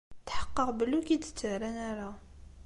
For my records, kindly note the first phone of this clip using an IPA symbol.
t̪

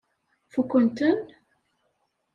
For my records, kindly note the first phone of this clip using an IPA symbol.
f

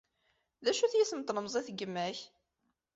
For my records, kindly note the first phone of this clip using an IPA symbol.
ð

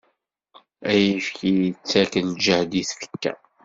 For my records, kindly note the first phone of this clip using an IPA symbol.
æ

